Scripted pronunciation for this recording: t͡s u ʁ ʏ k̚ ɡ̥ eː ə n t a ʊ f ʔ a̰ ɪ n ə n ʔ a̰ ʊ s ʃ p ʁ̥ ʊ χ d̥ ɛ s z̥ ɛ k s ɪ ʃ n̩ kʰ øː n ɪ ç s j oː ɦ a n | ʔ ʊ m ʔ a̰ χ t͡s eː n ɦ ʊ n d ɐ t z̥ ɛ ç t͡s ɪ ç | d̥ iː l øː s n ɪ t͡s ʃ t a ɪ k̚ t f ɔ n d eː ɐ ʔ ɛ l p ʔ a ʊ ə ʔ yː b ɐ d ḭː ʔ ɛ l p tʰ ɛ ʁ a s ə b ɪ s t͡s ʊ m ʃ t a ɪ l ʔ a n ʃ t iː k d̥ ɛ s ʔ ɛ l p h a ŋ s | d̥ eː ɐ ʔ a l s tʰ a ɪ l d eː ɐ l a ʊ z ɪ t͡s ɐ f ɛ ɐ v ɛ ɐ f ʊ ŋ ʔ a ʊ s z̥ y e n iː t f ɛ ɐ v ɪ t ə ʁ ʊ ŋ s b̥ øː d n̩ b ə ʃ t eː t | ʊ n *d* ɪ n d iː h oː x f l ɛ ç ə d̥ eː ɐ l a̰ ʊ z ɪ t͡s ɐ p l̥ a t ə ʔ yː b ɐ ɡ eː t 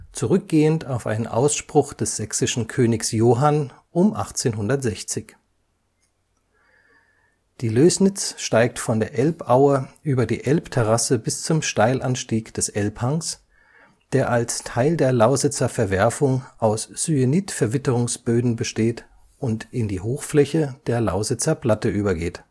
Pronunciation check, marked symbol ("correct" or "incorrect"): incorrect